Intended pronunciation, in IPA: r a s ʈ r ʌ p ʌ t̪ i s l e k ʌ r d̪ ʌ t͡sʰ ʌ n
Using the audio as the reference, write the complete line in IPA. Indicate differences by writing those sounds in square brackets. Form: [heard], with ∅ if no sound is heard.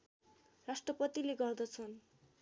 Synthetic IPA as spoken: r a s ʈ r ʌ p ʌ t̪ i [∅] l e [ɡ] ʌ r d̪ ʌ t͡sʰ ʌ n